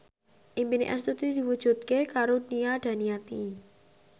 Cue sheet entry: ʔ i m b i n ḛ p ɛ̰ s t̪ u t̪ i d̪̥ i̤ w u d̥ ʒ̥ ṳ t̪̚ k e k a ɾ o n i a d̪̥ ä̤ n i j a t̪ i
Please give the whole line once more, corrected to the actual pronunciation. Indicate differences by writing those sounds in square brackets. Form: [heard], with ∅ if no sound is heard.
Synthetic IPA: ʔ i m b i n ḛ [ʔ] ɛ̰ s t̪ u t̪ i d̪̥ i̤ w u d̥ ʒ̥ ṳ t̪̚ k e k a ɾ o n i a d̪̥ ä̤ n i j a t̪ i